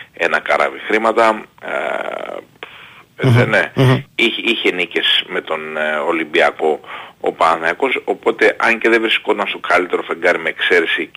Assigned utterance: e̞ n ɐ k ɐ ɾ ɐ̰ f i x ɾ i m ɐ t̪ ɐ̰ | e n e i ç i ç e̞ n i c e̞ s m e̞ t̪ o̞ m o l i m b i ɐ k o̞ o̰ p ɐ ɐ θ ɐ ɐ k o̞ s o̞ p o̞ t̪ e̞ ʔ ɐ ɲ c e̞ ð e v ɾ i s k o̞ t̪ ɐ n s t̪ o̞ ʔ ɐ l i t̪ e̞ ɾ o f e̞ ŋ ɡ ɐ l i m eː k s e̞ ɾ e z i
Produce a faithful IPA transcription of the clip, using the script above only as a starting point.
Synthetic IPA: e̞ n ɐ k ɐ ɾ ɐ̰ v i x ɾ i m ɐ t̪ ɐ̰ | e n e i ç i ç e̞ n i c e̞ s m e̞ t̪ o̞ n o l i m b i ɐ k o̞ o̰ p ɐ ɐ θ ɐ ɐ k o̞ s o̞ p o̞ t̪ e̞ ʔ ɐ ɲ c e̞ ð e v ɾ i s k o̞ t̪ ɐ n s t̪ o̞ k ɐ l i t̪ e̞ ɾ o f e̞ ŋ ɡ ɐ ɾ i m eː k s e̞ ɾ e s i